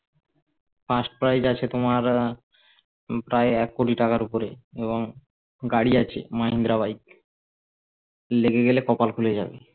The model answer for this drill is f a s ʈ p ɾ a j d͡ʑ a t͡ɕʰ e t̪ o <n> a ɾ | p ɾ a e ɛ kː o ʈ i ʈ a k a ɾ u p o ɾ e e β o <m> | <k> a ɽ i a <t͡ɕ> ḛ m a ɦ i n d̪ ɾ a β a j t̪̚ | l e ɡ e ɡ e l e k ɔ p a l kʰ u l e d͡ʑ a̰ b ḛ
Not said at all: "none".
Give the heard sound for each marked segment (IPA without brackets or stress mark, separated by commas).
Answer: m, ŋ, ɡ, t͡ɕʰ